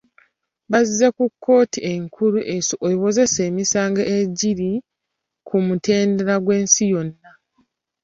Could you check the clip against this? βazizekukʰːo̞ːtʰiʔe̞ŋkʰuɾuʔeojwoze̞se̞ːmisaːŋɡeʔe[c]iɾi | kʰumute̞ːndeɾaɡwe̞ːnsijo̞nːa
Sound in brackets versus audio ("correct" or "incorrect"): incorrect